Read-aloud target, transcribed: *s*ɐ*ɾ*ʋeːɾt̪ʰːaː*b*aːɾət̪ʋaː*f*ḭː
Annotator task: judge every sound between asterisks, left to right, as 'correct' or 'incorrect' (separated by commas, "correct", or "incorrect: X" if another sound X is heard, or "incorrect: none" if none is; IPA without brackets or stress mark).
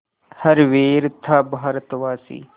incorrect: h, correct, correct, incorrect: s